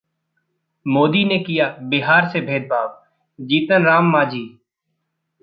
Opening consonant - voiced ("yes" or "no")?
yes